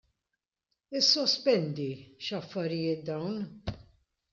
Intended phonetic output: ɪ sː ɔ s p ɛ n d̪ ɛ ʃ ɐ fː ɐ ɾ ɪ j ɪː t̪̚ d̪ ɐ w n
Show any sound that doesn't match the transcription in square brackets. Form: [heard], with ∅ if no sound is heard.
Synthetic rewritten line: ɪ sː ɔ s p ɛ n d̪ [i] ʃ ɐ fː ɐ ɾ ɪ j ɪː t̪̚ d̪ ɐ w n